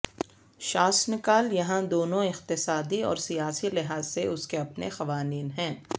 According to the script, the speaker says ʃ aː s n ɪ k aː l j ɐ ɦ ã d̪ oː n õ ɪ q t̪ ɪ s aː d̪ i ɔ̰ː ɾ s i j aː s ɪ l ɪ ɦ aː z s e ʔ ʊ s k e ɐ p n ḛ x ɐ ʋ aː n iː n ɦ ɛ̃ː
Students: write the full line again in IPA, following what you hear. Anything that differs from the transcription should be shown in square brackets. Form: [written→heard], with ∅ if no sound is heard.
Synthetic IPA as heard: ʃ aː s n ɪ k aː l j ɐ ɦ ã d̪ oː n õ ɪ q t̪ ɪ s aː d̪ i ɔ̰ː ɾ s i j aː s [ɪ→i] l ɪ ɦ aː z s e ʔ ʊ s k e ɐ p n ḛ x ɐ ʋ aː n iː n ɦ ɛ̃ː